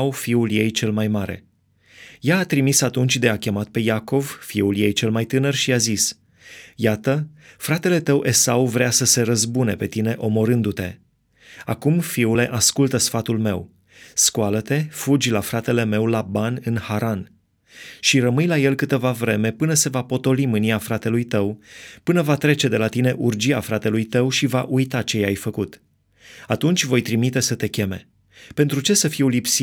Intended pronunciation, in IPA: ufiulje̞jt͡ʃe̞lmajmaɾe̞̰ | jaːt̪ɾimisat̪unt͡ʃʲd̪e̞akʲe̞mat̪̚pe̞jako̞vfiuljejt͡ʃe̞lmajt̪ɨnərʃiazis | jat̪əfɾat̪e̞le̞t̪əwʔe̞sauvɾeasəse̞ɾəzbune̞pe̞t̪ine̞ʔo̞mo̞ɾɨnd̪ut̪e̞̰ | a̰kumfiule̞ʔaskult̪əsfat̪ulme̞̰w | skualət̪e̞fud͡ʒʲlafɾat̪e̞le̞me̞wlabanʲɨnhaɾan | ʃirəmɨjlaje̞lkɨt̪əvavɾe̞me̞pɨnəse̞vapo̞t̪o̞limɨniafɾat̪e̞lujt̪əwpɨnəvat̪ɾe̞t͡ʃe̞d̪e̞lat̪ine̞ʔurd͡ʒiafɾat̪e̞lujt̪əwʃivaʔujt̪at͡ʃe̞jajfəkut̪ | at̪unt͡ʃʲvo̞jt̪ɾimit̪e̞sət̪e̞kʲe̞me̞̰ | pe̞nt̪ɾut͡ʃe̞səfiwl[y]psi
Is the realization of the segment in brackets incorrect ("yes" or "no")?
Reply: yes